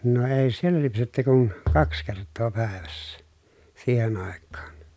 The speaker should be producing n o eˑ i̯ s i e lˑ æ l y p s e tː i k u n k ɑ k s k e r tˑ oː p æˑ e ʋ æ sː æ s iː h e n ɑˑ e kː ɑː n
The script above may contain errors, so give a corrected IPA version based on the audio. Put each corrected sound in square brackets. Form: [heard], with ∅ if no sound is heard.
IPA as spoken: n o eˑ i̯ s i e lˑ æ l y p s e tː [y] k u n k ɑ k s k e r tˑ oː p æˑ e ʋ æ sː æ s iː h e n ɑˑ e kː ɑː n